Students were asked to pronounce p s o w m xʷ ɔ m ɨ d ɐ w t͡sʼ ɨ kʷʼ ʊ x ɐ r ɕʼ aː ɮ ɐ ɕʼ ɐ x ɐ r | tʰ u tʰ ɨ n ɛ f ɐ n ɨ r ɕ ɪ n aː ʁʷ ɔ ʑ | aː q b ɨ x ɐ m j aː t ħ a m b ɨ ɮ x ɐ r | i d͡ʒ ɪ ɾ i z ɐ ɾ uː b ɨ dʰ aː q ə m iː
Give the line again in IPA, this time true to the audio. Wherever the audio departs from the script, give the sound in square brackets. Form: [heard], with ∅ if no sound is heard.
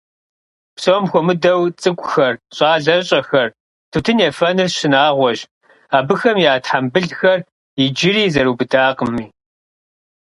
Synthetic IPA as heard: p s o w m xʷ ɔ m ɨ d ɐ w t͡sʼ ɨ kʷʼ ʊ x ɐ r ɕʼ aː ɮ ɐ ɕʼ ɐ x ɐ r | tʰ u tʰ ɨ n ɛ f ɐ n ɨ r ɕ ɪ n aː ʁʷ ɔ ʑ | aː [∅] b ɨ x ɐ m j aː t ħ a m b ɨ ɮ x ɐ r | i d͡ʒ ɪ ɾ [iː] z ɐ ɾ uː b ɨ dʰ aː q ə m iː